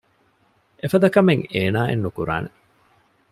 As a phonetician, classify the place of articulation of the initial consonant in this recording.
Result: labial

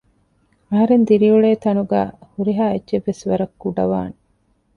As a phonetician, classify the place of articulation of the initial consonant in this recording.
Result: glottal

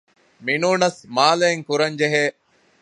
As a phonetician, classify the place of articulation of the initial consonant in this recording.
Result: labial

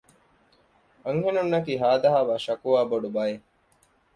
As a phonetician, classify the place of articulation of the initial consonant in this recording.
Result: velar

